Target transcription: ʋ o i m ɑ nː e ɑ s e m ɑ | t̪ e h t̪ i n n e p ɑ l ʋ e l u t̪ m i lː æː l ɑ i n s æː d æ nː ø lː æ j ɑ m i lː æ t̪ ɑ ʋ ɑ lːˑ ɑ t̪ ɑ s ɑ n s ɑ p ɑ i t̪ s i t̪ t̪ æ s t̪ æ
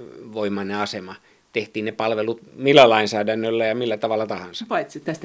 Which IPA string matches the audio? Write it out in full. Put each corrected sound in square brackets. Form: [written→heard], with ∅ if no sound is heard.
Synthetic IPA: ʋ o i m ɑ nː e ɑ s e m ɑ | t̪ e h t̪ [i→iː] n n e p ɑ l ʋ e l u t̪ m i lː [æː→æ] l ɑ i n s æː d æ nː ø lː æ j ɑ m i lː æ t̪ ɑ ʋ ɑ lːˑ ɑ t̪ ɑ [s→h] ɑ n s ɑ p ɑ i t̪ s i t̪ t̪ æ s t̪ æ